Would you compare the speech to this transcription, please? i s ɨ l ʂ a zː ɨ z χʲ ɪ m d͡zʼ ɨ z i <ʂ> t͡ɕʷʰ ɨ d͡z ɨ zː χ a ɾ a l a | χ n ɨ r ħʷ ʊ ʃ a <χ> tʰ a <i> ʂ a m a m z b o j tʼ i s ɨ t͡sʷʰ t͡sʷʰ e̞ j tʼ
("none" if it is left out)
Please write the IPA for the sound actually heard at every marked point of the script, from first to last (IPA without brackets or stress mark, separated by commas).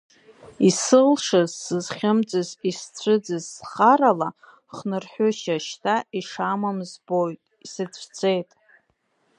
s, ʃ, i